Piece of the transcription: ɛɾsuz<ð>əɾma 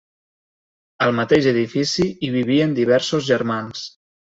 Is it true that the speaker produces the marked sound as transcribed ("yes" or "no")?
no